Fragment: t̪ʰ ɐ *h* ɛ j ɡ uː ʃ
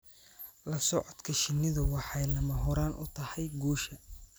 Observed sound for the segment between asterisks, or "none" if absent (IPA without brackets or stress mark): h